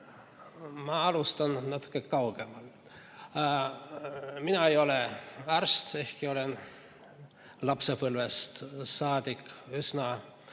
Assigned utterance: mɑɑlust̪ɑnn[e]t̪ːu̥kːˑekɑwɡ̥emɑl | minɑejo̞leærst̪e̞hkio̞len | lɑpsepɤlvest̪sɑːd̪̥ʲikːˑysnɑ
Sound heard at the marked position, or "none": æ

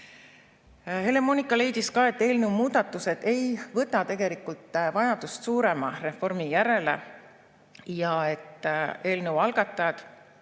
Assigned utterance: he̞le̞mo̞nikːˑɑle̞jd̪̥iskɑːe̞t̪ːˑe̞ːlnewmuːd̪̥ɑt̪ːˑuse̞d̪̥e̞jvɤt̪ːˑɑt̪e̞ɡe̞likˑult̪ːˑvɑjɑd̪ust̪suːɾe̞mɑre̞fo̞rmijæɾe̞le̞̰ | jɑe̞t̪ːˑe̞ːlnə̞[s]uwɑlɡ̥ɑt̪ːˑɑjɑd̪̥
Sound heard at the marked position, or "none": none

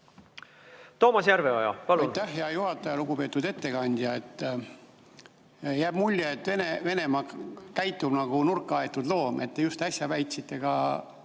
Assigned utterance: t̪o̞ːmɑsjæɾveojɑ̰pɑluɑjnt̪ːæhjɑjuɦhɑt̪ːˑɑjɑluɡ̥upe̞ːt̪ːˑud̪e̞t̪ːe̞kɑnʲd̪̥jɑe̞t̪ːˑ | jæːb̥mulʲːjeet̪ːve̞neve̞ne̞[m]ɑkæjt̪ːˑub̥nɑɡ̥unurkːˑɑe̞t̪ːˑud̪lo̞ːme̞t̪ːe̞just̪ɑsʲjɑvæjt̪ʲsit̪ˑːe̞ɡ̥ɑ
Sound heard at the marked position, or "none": m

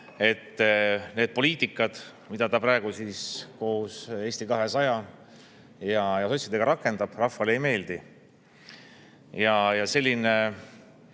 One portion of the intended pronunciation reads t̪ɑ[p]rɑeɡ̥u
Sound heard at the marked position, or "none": p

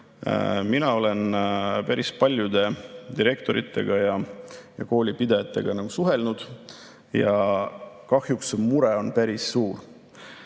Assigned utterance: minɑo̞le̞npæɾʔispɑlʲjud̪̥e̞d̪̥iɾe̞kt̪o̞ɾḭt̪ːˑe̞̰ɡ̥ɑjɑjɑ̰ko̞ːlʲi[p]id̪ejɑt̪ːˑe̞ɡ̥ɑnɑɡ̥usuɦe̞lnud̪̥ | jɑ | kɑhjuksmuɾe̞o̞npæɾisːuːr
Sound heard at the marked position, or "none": p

